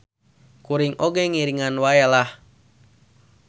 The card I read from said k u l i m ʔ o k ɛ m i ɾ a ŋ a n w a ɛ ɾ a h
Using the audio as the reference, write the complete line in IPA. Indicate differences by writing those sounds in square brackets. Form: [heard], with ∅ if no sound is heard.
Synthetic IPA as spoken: k u [ɾ] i [ŋ] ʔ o [ɡ] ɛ [ŋ] i ɾ [i] ŋ a n w a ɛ [l] a h